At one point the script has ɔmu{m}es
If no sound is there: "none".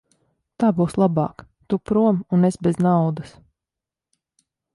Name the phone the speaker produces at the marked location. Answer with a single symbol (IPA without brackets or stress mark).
n